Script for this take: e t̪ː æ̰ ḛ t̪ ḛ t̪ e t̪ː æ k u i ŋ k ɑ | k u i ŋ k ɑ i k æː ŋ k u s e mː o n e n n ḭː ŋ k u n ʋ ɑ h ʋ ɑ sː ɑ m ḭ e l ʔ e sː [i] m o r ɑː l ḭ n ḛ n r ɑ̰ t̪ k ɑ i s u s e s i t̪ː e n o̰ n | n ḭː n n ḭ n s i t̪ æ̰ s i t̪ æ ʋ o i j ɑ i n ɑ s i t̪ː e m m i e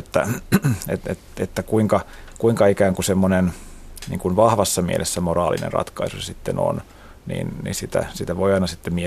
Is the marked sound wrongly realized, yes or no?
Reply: yes